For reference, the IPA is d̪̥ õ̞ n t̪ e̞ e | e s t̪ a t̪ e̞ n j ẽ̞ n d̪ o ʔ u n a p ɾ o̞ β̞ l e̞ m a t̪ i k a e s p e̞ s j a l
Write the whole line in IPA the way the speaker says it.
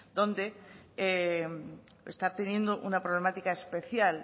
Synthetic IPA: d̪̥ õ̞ n d̪ e̞ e | e s t̪ a t̪ e̞ n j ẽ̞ n d̪ o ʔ u n a p ɾ o̞ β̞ l e̞ m a t̪ i k a e s p e̞ θ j a l